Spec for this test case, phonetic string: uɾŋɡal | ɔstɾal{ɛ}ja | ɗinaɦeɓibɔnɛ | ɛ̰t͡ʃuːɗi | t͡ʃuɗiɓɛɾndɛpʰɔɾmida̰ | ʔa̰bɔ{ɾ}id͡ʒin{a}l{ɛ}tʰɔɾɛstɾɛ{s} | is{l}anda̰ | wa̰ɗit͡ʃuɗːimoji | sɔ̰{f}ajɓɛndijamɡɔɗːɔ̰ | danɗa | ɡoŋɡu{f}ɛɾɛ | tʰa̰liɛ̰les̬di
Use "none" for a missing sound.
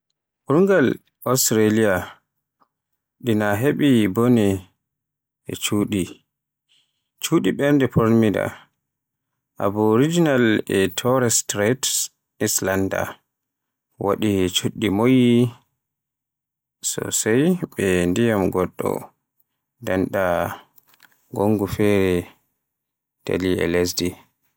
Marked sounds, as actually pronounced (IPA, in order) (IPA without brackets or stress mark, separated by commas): i, ɾ, a, ɛ, t, l, s, f